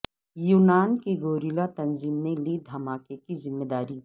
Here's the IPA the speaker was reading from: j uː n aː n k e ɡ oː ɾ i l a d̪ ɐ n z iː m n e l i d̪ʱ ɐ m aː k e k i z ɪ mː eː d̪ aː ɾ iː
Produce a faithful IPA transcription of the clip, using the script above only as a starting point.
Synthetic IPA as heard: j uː n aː n k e ɡ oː ɾ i l a t̪ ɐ n z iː m n e l i d̪ʱ ɐ m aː k e k i z ɪ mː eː d̪ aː ɾ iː